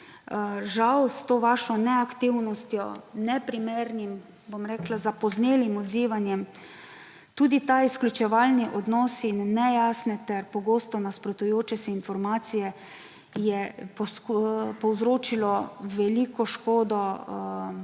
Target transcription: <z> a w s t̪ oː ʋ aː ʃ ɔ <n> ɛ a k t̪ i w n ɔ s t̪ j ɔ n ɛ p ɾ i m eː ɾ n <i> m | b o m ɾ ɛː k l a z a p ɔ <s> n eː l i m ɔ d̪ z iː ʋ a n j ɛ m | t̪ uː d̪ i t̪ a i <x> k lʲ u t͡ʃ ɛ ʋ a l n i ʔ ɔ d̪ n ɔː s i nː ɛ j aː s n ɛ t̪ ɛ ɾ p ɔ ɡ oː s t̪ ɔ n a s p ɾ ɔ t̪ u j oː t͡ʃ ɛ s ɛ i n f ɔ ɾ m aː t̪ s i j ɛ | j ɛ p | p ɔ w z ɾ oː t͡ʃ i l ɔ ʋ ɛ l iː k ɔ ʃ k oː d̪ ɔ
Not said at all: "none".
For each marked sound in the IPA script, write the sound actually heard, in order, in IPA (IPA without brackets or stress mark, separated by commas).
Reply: ʒ, n, i, z, s